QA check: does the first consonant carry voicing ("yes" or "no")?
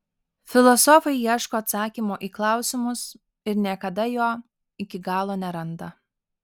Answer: no